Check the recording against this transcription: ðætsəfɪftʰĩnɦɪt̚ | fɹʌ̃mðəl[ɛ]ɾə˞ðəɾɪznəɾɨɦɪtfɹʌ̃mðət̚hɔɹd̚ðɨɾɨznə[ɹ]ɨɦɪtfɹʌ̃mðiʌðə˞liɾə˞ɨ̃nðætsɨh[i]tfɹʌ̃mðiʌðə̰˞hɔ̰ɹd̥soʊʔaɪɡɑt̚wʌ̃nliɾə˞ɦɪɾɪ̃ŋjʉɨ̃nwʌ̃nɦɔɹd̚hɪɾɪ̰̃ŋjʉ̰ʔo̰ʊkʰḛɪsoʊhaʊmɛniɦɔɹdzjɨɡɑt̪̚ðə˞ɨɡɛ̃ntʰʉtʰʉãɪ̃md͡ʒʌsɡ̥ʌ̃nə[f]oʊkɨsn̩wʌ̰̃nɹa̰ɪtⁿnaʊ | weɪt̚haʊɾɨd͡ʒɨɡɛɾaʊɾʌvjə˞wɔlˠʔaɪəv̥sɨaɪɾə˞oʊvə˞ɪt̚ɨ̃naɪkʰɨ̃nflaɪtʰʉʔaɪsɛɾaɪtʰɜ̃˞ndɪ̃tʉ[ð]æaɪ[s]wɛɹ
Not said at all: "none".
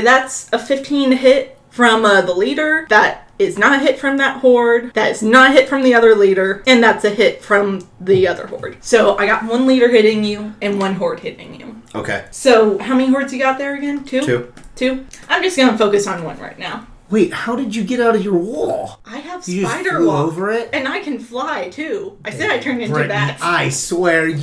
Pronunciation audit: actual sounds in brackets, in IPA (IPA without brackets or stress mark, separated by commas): i, ɾ, ɪ, f, ð, s